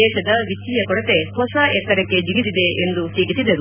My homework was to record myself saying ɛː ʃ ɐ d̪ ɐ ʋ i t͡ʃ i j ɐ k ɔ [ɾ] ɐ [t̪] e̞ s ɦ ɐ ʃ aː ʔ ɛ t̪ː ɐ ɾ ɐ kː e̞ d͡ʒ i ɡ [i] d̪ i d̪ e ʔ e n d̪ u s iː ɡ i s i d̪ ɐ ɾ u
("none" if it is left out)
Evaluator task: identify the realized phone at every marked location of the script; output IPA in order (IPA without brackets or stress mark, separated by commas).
ɽ, t̪, i